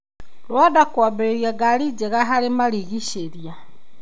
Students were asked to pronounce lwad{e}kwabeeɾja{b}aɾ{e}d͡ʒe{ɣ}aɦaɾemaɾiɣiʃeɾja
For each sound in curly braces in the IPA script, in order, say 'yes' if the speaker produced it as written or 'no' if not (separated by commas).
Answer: no, no, no, yes